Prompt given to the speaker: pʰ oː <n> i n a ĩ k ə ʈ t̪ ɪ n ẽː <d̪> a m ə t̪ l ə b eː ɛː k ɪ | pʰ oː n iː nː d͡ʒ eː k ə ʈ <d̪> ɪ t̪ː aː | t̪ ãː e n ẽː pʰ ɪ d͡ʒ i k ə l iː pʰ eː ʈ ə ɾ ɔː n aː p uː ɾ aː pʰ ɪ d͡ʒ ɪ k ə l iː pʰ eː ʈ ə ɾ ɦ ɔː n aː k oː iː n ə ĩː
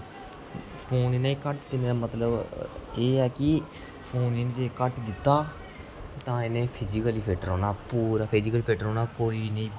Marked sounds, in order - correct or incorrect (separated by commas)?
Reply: correct, incorrect, correct